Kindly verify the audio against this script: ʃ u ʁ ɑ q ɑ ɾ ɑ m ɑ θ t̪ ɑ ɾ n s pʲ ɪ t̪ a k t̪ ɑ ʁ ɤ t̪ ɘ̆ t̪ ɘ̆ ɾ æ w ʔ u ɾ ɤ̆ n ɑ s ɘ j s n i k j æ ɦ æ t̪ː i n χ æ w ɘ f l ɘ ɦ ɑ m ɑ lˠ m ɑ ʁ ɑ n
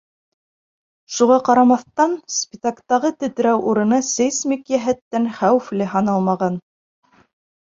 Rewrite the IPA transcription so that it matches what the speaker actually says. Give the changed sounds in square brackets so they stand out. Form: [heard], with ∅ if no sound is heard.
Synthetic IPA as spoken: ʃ u ʁ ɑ q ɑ ɾ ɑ m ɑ θ t̪ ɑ [∅] n s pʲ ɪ t̪ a k t̪ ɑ ʁ ɤ t̪ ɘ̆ t̪ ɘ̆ ɾ æ w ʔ u ɾ ɤ̆ n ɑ s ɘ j s [m] i k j æ ɦ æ t̪ː [æ] n χ æ w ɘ f l ɘ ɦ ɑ [n] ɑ lˠ m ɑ ʁ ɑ n

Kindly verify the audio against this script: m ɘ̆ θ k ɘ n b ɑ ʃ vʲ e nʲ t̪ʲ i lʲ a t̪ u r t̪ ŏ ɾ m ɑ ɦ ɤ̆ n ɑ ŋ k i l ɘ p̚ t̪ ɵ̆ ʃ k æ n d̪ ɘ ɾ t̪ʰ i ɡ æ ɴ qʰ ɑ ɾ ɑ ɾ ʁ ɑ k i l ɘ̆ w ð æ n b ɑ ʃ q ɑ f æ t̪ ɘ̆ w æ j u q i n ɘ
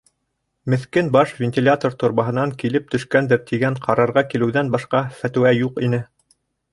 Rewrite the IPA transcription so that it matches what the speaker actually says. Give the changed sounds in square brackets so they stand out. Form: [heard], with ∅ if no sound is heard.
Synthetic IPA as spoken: m ɘ̆ θ k ɘ n b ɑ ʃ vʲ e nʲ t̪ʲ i lʲ a t̪ [o] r t̪ ŏ ɾ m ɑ ɦ ɤ̆ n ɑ ŋ k i l ɘ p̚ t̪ ɵ̆ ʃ k æ n d̪ ɘ ɾ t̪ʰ i ɡ æ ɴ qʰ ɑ ɾ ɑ ɾ ʁ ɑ k i l ɘ̆ w ð æ n b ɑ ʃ q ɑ f æ t̪ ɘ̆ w æ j u q i n ɘ

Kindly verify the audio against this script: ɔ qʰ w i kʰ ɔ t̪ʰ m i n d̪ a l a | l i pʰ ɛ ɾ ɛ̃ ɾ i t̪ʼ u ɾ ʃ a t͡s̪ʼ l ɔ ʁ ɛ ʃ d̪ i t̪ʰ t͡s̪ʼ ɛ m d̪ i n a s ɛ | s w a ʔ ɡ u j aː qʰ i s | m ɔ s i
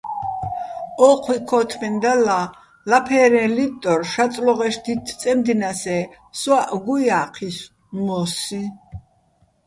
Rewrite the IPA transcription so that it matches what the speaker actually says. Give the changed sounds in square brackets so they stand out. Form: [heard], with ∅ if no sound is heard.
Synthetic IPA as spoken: ɔ qʰ w i kʰ ɔ t̪ʰ m [ɛ] n d̪ a l a | l [a] pʰ ɛ ɾ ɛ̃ [l] i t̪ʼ [ɔ] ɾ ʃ a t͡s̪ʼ l ɔ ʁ ɛ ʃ d̪ i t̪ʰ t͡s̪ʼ ɛ m d̪ i n a s ɛ | s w a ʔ ɡ u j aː qʰ i s | m ɔ s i

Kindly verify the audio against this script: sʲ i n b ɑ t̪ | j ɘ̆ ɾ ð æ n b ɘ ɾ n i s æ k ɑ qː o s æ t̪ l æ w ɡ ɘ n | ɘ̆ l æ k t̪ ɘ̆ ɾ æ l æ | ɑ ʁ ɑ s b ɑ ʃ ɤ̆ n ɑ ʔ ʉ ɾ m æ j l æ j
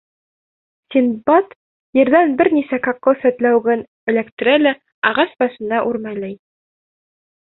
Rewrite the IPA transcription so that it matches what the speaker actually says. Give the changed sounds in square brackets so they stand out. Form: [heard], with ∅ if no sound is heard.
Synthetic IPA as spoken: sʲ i n b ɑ t̪ | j ɘ̆ ɾ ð æ n b ɘ ɾ n i s æ k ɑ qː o s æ t̪ l æ w ɡ ɘ n | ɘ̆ l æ k t̪ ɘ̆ ɾ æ l æ | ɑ ʁ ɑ s b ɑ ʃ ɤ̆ n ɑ ʔ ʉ ɾ m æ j l æ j

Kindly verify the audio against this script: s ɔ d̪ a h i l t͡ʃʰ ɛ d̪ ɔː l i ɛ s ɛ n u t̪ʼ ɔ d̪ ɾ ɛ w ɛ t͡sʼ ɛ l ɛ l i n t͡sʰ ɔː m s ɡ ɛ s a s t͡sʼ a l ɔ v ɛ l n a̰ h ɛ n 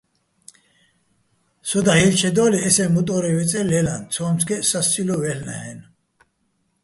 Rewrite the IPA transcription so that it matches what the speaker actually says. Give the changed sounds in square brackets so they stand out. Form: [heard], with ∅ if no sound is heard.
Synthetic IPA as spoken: s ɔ d̪ a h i l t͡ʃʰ ɛ d̪ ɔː l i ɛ s ɛ [m] u t̪ʼ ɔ [∅] ɾ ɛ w ɛ t͡sʼ ɛ l ɛ l [a] n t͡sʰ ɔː m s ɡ ɛ s a s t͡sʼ [i] l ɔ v ɛ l n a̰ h ɛ n

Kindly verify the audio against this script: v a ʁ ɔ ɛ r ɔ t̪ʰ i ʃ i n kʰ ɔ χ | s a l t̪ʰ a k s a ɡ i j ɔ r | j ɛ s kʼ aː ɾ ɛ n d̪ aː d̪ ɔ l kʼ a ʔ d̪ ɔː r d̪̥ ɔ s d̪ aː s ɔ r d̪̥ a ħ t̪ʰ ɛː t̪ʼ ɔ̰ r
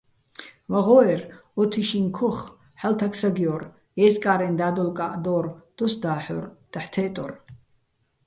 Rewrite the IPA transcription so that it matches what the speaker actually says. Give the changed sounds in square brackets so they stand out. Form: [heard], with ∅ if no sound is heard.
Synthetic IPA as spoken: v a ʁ ɔ ɛ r ɔ t̪ʰ i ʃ i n kʰ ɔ χ | [ħ] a l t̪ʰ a k s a ɡ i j ɔ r | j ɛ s kʼ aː ɾ ɛ n d̪ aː d̪ ɔ l kʼ a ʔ d̪ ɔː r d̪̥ ɔ s d̪ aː [ħ] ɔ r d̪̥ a ħ t̪ʰ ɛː t̪ʼ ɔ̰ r

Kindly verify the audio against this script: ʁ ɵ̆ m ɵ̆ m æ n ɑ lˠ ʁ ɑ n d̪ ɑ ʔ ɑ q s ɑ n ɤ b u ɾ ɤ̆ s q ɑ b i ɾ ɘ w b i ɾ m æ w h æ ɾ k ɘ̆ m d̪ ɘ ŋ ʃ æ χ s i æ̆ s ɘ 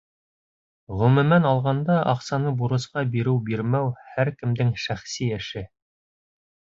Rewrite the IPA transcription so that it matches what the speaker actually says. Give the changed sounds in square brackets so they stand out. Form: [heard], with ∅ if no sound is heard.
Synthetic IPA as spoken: ʁ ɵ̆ m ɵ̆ m æ n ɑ lˠ ʁ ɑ n d̪ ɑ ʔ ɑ q s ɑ n ɤ b u ɾ ɤ̆ s q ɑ b i ɾ ɘ w b i ɾ m æ w h æ ɾ k ɘ̆ m d̪ ɘ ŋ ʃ æ χ s i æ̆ [ʃ] ɘ

